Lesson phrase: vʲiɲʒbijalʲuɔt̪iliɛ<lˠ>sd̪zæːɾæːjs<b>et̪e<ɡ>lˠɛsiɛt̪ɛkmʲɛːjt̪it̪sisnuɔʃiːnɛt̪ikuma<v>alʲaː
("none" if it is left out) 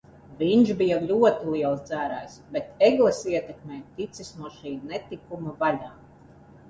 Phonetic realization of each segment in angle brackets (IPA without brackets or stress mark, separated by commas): lˠ, b, ɡ, v